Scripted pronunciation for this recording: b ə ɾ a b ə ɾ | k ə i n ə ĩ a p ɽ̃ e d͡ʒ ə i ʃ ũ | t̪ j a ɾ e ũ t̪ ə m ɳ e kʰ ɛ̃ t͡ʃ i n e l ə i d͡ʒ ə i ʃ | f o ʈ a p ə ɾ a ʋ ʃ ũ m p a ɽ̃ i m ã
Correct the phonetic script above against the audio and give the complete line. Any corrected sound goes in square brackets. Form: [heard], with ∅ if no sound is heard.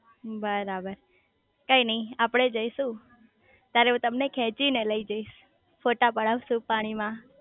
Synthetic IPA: b ə ɾ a b ə ɾ | k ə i n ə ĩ a p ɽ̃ e d͡ʒ ə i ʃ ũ | t̪ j a ɾ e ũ t̪ ə m [n] e kʰ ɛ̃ t͡ʃ i n e l ə i d͡ʒ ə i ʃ | f o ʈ a p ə [ɽ] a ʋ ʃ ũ [∅] p a ɽ̃ i m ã